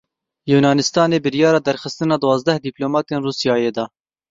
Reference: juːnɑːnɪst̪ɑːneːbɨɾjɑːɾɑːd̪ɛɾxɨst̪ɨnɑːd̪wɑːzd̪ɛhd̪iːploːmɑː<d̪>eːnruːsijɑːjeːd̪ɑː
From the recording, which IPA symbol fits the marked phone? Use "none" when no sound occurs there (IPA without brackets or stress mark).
t̪